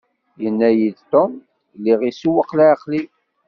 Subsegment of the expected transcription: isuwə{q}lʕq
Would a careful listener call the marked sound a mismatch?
no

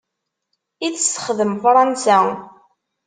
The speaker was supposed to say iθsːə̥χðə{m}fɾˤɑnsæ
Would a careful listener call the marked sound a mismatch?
no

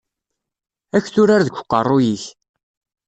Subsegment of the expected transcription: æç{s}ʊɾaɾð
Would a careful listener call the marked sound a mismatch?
yes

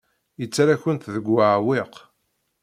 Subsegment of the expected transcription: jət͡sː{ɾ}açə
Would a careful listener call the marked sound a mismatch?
no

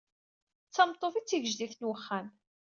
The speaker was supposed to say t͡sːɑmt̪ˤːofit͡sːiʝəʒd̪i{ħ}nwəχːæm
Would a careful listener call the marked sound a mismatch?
yes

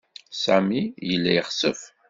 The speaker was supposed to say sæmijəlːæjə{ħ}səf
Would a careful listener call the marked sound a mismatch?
yes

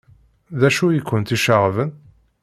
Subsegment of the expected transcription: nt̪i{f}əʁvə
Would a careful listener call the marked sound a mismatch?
yes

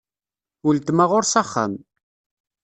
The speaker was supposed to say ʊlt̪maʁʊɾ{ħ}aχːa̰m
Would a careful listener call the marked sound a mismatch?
yes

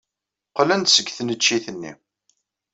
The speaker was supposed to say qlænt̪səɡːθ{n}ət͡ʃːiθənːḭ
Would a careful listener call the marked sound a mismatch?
no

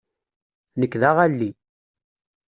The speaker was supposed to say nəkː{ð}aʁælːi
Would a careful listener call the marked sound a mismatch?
no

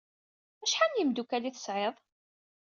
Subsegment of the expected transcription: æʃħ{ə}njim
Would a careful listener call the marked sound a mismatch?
yes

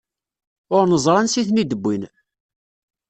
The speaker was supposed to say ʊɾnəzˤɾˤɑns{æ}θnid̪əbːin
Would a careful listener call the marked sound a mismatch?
yes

